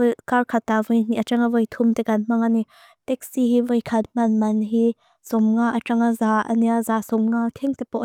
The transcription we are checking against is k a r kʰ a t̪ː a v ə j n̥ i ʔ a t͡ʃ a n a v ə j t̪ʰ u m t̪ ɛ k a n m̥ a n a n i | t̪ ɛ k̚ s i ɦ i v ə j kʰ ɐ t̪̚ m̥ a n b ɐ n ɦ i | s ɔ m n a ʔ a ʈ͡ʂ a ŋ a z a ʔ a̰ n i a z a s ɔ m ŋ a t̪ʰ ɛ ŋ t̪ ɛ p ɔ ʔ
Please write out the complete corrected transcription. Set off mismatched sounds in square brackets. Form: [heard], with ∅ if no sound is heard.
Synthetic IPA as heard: k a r kʰ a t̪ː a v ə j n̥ i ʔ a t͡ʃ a [ŋ] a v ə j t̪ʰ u m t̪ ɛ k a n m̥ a [ŋ] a n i | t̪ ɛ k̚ s i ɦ i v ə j kʰ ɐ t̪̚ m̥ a n [m] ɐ n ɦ i | s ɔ m [ŋ] a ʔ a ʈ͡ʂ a ŋ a z a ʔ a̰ n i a z a s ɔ m ŋ a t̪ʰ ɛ ŋ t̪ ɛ p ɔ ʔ

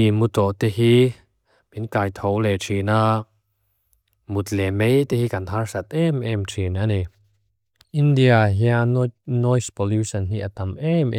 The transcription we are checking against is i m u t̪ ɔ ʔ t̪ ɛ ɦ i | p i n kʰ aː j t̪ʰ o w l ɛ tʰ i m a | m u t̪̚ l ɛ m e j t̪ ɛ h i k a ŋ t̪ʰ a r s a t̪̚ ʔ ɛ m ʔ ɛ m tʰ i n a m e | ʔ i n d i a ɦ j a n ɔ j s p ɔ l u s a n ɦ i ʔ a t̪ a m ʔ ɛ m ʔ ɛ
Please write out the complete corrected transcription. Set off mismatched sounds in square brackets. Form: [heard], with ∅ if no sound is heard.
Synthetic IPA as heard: i m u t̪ ɔ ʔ t̪ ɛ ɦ i | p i n [k] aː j t̪ʰ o w l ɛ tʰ i [n] a | m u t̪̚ l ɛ m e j t̪ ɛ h i k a [n] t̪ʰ a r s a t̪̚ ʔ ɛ m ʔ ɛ m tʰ i n a [n] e | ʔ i n d i a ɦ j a n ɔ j s p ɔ l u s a n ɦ i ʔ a t̪ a m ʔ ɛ m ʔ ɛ

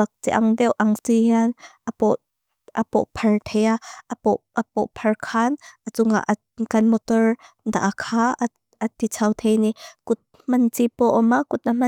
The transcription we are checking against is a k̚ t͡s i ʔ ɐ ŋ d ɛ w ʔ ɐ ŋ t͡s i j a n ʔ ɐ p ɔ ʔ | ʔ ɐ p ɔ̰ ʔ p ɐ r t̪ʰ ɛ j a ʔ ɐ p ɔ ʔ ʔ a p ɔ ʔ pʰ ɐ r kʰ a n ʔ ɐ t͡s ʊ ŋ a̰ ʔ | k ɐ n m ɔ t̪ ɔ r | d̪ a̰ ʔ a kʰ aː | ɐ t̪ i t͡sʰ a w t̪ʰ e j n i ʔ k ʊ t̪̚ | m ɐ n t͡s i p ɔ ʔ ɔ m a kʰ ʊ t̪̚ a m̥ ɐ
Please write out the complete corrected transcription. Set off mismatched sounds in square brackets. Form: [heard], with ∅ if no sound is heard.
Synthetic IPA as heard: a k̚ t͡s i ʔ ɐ ŋ d ɛ w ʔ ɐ ŋ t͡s i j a n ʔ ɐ p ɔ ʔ | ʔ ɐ p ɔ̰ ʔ [pʰ] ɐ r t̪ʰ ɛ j a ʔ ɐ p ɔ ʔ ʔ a p ɔ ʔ pʰ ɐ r kʰ a n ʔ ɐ t͡s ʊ ŋ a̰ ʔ | k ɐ n m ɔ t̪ ɔ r | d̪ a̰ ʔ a kʰ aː | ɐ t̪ i t͡sʰ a w t̪ʰ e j n i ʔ k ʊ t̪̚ | m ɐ n t͡s i p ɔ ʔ ɔ m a [k] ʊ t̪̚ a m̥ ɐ

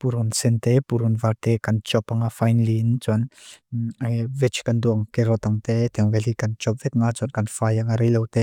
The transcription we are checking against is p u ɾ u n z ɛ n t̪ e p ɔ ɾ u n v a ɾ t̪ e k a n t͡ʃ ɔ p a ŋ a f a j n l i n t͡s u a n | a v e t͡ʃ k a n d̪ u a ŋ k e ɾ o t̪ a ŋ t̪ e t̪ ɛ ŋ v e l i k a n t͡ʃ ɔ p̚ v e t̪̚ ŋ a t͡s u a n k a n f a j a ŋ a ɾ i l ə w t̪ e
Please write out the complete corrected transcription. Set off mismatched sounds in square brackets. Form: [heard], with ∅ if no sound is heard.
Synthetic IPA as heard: p u ɾ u n [s] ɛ n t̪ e p [u] ɾ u n v a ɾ t̪ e k a n t͡ʃ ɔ p a ŋ a f a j n l i n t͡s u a n | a v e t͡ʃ k a n d̪ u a ŋ k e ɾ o t̪ a ŋ t̪ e t̪ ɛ ŋ v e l i k a n t͡ʃ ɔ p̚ v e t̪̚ ŋ a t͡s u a n k a n f a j a ŋ a ɾ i l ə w t̪ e

